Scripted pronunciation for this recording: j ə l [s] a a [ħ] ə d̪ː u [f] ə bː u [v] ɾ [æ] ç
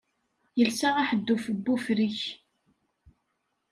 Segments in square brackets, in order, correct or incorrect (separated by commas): correct, correct, correct, incorrect, incorrect